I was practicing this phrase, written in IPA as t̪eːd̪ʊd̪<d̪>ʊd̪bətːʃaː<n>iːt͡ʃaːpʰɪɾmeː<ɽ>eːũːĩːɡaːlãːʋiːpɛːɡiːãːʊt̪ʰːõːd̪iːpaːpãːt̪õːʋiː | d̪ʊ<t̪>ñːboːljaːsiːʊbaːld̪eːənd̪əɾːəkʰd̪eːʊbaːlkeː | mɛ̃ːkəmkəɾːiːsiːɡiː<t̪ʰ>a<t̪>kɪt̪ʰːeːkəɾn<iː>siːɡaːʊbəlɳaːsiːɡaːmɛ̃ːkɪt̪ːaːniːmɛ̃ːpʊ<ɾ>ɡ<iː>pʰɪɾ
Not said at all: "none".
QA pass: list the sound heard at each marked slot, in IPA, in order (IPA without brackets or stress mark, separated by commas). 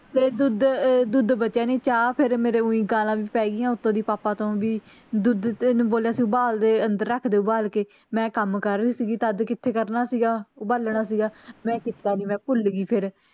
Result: d̪, n, ɾ, d̪, t̪, d̪, aː, l, iː